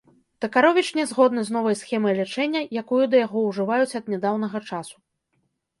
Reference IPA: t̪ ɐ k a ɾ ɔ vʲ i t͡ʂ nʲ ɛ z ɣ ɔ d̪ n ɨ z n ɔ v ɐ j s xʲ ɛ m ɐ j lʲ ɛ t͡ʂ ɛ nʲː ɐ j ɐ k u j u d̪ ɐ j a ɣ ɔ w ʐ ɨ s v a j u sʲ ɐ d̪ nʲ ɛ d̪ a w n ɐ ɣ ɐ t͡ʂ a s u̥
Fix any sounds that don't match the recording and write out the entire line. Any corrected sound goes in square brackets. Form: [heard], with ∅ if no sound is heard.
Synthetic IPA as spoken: t̪ ɐ k a ɾ ɔ vʲ i t͡ʂ nʲ ɛ z ɣ ɔ d̪ n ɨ z n ɔ v ɐ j s xʲ ɛ m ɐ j lʲ ɛ t͡ʂ ɛ nʲː ɐ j [a] k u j u d̪ ɐ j a ɣ ɔ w ʐ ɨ [∅] v a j u [t͡sʲ] ɐ d̪ nʲ ɛ d̪ a w n ɐ ɣ ɐ t͡ʂ a s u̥